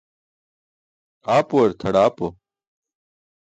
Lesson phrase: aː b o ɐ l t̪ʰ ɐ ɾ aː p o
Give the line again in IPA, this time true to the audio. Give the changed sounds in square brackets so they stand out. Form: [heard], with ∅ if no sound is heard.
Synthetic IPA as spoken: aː [p] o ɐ [ɾ] t̪ʰ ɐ [ɽ] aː p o